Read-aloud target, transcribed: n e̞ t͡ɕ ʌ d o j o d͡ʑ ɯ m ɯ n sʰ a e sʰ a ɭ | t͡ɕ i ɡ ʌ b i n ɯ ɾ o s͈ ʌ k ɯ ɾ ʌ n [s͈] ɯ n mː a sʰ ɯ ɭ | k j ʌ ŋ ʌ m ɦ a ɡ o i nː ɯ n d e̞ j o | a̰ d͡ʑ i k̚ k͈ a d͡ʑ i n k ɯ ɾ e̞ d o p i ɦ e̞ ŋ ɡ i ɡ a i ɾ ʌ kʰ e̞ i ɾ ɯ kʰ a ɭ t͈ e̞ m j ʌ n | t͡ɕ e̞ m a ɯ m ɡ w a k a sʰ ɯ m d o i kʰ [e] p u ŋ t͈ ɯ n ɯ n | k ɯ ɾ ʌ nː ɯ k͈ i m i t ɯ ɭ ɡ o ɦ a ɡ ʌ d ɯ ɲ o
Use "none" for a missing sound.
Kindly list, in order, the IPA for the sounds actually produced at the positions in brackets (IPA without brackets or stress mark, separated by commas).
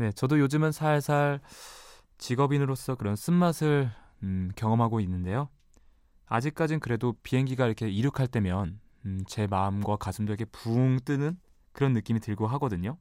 s͈, e